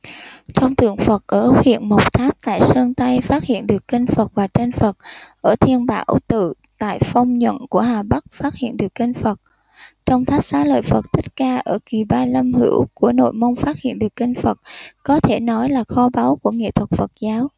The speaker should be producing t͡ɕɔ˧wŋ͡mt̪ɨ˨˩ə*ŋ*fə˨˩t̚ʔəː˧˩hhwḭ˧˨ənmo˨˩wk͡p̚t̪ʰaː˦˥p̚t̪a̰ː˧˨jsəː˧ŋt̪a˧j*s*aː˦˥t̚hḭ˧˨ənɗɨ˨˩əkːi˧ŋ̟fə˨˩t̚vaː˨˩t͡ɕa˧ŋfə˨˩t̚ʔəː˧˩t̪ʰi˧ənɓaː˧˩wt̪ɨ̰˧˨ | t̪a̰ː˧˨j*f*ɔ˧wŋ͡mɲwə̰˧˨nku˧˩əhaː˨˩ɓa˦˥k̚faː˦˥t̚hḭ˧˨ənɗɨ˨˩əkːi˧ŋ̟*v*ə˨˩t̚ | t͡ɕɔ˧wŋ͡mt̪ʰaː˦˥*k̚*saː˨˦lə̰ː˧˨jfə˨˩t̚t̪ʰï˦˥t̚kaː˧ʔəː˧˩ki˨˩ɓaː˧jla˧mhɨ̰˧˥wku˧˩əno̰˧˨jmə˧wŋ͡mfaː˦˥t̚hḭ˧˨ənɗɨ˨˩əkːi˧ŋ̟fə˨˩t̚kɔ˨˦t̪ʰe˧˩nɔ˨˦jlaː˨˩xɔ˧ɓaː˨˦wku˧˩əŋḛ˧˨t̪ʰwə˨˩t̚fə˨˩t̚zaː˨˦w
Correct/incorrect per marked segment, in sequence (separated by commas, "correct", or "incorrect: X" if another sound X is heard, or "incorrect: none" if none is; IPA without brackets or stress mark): correct, incorrect: f, correct, incorrect: f, incorrect: p̚